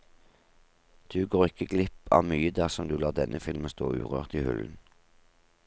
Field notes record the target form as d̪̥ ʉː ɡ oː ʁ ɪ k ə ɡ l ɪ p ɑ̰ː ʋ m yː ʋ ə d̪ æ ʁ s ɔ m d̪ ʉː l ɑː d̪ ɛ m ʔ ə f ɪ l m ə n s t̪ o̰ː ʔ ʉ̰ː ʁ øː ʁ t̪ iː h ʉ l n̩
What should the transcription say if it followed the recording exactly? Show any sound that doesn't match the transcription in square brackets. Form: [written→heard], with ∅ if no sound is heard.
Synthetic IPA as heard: d̪̥ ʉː ɡ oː ʁ ɪ k ə ɡ l ɪ p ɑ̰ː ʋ m yː [ʋ→∅] ə d̪ æ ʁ s ɔ m d̪ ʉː l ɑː d̪ ɛ [m→n] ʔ ə f ɪ l m ə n s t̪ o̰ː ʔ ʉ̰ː ʁ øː ʁ t̪ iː h ʉ l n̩